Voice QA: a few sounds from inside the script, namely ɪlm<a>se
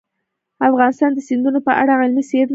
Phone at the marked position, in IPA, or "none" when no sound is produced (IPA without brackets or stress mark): i